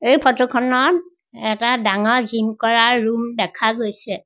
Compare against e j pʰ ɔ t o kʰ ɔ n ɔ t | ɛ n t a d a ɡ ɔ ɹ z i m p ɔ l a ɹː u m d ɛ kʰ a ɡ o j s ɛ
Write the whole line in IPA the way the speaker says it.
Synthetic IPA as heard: e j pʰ ɔ t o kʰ ɔ n ɔ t | ɛ t a d a ŋ ɔ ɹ z i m k ɔ ɹ a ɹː u m d ɛ kʰ a ɡ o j s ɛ